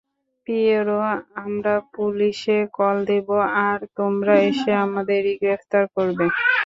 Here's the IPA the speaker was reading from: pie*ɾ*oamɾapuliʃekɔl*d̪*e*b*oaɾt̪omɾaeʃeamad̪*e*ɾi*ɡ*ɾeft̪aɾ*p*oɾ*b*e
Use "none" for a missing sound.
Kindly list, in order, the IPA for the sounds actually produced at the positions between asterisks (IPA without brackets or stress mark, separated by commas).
ɾ, d̪, b, e, ɡ, k, b